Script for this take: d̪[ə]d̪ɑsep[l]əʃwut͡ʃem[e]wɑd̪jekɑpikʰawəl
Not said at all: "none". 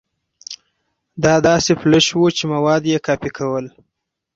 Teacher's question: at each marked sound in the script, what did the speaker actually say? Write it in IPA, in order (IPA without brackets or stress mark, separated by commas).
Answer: ɑ, l, a